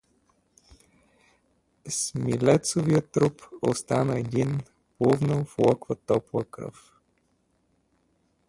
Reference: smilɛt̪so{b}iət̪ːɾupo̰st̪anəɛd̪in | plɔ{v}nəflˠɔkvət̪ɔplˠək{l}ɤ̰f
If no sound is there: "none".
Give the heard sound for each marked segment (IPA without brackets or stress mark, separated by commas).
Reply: v, v, ɾ